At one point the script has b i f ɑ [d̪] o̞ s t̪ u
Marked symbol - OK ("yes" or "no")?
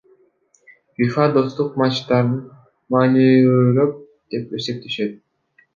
yes